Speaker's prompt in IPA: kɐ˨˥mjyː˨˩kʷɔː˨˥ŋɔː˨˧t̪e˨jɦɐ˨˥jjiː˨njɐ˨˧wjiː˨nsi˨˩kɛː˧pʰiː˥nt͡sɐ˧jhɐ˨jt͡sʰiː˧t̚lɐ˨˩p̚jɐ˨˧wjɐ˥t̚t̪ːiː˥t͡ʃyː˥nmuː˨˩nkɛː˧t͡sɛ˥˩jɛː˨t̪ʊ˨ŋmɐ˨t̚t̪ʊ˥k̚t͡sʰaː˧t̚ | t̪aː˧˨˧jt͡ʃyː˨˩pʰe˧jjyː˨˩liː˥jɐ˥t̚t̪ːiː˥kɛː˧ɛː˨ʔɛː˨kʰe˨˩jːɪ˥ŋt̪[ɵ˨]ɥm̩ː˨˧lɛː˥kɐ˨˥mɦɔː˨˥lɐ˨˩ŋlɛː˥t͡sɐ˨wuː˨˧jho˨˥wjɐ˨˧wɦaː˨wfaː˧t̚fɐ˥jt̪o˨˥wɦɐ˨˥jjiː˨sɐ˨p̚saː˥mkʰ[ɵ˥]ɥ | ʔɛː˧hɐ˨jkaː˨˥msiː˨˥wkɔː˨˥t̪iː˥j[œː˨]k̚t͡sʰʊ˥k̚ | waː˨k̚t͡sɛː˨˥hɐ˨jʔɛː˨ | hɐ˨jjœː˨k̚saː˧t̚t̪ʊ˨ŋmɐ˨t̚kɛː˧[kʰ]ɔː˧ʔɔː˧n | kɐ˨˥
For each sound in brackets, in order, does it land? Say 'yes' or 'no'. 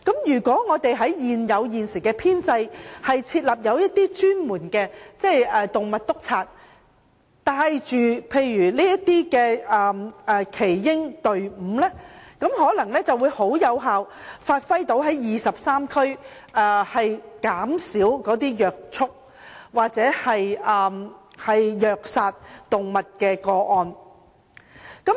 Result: yes, yes, yes, no

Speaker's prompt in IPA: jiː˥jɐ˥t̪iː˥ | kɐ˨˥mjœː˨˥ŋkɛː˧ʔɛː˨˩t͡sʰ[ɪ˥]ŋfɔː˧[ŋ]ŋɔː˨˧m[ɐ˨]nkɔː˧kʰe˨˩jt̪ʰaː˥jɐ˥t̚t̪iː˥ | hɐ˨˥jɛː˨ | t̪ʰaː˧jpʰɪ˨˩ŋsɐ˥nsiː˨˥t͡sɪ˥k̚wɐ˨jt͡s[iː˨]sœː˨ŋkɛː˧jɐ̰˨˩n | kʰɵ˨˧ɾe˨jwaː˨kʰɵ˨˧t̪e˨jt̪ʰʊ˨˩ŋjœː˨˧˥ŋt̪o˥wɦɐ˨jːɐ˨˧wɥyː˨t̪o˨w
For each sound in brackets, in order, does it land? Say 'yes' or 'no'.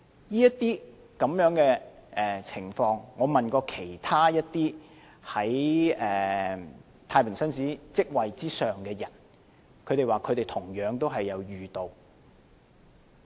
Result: no, yes, yes, no

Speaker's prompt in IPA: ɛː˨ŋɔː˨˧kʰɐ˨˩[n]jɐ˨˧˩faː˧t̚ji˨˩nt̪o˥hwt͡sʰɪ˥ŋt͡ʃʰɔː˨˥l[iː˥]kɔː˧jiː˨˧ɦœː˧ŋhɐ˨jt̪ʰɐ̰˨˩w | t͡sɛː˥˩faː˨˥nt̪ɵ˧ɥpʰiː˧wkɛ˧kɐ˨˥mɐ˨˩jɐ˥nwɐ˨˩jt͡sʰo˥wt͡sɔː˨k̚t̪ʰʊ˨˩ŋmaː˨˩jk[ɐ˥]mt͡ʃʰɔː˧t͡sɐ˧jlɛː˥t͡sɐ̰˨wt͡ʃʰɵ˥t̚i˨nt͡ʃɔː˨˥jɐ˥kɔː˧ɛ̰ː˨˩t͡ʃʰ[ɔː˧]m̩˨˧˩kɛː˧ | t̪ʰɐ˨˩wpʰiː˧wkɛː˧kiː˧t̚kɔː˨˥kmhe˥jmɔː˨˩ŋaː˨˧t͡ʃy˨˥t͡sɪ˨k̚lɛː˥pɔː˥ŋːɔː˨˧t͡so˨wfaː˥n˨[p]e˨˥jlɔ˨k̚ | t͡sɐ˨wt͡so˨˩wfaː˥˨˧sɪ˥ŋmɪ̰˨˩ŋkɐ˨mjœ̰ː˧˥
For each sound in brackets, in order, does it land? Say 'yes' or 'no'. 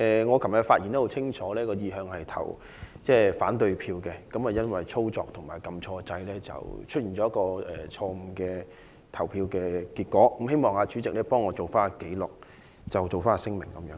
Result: no, no, no, yes, no

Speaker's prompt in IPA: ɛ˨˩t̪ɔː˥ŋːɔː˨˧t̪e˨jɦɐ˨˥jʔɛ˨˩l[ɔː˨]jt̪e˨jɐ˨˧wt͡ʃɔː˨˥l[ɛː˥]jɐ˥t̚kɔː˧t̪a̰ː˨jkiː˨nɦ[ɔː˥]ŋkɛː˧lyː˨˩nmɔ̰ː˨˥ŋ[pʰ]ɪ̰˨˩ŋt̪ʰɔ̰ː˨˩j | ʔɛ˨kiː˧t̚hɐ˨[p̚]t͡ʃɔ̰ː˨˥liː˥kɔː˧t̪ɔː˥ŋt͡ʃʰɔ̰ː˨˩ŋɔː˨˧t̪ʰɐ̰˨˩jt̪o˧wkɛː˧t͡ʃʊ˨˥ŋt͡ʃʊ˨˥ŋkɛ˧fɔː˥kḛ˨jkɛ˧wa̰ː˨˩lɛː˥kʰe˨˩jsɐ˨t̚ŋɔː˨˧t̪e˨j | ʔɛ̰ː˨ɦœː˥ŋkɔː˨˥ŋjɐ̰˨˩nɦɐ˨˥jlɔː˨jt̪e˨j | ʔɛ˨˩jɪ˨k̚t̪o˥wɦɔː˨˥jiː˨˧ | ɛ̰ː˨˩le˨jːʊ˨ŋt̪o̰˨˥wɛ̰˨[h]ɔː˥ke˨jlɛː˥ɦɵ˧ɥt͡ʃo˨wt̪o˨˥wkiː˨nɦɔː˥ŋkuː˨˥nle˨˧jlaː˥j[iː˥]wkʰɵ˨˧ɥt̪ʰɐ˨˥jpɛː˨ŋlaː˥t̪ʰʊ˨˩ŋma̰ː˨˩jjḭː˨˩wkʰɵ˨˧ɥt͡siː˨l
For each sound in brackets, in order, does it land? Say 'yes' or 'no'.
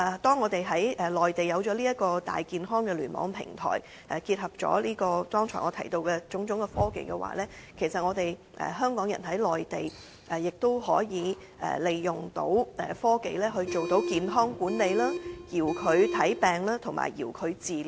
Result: yes, no, yes, yes, yes, no, no

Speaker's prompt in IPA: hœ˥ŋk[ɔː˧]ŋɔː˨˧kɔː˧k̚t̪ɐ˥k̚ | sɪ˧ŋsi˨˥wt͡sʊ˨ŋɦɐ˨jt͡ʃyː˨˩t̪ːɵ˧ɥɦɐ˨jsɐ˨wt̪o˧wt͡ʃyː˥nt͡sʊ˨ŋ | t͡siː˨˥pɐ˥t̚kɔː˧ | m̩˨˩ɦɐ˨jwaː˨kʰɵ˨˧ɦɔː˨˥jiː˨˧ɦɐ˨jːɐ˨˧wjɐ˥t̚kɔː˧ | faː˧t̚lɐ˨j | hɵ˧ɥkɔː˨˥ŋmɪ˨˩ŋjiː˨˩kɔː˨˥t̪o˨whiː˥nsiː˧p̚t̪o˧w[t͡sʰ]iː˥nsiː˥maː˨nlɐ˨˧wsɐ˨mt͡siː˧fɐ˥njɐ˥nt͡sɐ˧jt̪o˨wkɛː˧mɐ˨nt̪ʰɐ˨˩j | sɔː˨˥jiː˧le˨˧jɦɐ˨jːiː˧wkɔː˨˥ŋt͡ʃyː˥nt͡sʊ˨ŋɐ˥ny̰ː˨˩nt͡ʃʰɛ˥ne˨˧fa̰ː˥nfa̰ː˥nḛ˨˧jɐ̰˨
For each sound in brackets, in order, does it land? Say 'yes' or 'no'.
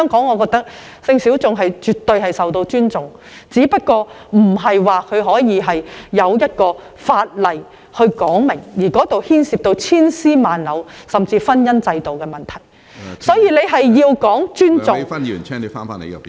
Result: no, yes

